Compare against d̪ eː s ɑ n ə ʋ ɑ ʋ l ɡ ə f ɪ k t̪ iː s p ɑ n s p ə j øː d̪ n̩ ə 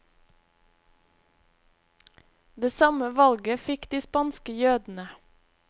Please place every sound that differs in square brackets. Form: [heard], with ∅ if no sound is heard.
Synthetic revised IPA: d̪ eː s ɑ [m] ə ʋ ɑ [∅] l ɡ ə f ɪ k [d̪] iː s p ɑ n s [k] ə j øː d̪ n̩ ə

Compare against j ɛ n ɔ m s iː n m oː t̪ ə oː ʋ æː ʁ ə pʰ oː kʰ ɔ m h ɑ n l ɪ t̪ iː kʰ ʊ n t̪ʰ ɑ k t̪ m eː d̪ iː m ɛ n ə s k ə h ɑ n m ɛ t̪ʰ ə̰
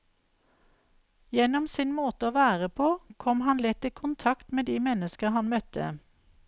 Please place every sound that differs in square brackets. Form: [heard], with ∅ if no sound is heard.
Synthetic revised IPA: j ɛ n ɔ m s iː n m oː t̪ ə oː ʋ æː ʁ ə pʰ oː kʰ ɔ m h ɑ n l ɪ t̪ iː kʰ ʊ n t̪ʰ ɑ k t̪ m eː d̪ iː m ɛ n ə s k ə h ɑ n m [œ] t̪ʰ ə̰

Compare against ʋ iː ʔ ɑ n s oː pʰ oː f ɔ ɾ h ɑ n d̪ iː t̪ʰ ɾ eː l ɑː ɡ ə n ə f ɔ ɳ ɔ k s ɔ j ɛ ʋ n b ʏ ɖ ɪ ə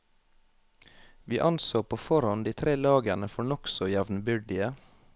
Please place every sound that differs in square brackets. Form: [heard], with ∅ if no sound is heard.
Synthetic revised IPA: ʋ iː ʔ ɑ n s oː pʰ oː f ɔ ɾ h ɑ n d̪ iː t̪ʰ ɾ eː l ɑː ɡ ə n ə f ɔ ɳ ɔ k s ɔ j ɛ ʋ n b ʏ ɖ ɪ ə

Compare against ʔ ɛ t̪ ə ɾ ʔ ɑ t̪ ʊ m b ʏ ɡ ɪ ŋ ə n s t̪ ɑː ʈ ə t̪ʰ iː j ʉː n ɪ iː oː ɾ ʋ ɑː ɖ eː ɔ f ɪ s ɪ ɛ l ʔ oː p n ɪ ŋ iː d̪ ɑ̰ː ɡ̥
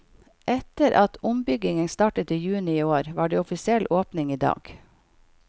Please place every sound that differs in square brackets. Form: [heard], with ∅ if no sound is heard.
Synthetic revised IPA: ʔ ɛ t̪ ə ɾ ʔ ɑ t̪ ʊ m b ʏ ɡ ɪ ŋ ə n s t̪ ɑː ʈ ə [t̪] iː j ʉː n ɪ iː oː ɾ ʋ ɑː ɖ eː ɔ f ɪ s ɪ ɛ l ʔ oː p n ɪ ŋ iː d̪ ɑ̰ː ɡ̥

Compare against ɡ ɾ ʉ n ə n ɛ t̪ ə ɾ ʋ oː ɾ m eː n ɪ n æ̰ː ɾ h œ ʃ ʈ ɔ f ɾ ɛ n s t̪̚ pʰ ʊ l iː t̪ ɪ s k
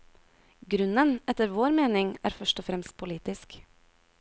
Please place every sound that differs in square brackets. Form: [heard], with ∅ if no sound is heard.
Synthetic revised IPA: ɡ ɾ ʉ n ə n ɛ t̪ ə ɾ ʋ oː ɾ m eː n ɪ [ŋ] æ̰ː ɾ [f] œ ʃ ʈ ɔ f ɾ ɛ [m] s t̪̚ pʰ ʊ l iː t̪ ɪ s k

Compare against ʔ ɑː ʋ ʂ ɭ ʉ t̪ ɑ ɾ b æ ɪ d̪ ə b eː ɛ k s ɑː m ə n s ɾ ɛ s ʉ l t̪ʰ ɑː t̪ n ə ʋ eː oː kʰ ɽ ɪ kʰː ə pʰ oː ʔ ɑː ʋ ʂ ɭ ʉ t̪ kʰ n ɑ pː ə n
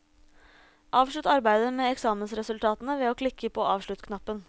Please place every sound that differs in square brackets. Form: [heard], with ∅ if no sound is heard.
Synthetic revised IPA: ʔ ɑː ʋ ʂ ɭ ʉ t̪ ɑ ɾ b æ ɪ d̪ ə [m] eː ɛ k s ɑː m ə n s ɾ ɛ s ʉ l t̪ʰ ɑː t̪ n ə ʋ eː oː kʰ [l] ɪ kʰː ə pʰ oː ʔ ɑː ʋ ʂ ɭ ʉ t̪ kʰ n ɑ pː ə n

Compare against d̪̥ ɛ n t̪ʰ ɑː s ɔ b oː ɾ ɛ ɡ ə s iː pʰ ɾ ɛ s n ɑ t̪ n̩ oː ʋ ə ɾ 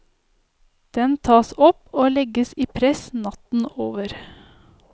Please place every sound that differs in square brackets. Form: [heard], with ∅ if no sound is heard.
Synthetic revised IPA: d̪̥ ɛ n t̪ʰ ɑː s ɔ [p] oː [l] ɛ ɡ ə s iː pʰ ɾ ɛ s n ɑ t̪ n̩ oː ʋ ə ɾ

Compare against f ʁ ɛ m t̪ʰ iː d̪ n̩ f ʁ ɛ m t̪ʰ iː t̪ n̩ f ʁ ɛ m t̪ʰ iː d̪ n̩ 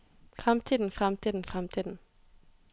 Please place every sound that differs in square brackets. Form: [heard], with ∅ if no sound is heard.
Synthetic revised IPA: f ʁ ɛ m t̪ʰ iː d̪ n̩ f ʁ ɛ m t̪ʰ iː [d̪] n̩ f ʁ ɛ m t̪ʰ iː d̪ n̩

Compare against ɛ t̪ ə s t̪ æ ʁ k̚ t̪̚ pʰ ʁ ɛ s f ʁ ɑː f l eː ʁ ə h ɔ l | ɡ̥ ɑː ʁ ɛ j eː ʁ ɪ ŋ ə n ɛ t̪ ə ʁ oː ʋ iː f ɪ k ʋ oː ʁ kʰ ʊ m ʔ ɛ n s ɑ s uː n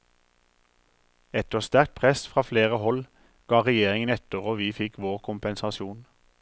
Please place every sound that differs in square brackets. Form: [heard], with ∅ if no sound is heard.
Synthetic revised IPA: ɛ t̪ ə s t̪ æ ʁ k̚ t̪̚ pʰ ʁ ɛ s f ʁ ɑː f l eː ʁ ə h ɔ l | ɡ̥ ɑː ʁ ɛ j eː ʁ ɪ ŋ ə n ɛ t̪ ə ʁ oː ʋ iː f ɪ k ʋ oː ʁ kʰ ʊ m [p] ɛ n s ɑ s uː n

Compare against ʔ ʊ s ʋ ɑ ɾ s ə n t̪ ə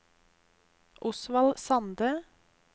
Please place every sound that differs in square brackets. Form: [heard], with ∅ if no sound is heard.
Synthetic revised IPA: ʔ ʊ s ʋ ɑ [l] s [ɑ] n [d̪] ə

